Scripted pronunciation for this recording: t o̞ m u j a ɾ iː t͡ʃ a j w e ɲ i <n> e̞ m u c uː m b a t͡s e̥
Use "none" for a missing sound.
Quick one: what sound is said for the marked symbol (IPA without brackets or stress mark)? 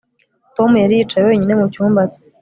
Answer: n